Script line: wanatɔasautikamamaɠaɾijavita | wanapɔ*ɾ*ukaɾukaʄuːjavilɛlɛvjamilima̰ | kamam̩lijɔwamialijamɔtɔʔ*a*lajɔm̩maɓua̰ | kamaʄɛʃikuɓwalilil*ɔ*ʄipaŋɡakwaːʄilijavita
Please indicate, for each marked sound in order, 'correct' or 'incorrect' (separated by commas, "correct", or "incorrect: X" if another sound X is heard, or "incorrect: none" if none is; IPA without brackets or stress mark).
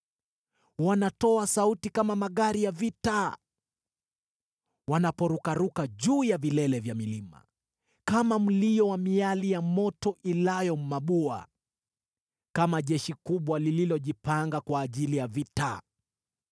correct, incorrect: i, correct